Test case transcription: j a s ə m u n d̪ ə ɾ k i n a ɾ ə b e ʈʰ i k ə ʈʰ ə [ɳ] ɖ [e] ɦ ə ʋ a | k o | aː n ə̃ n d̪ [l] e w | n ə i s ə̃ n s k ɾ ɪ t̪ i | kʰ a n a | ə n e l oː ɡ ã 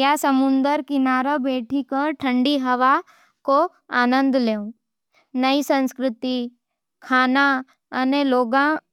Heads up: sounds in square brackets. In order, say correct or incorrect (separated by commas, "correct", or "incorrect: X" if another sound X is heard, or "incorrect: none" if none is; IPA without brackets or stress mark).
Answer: correct, incorrect: i, correct